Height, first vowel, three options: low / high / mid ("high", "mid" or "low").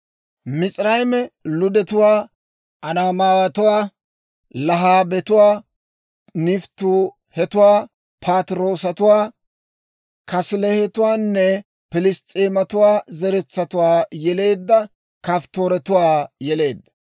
high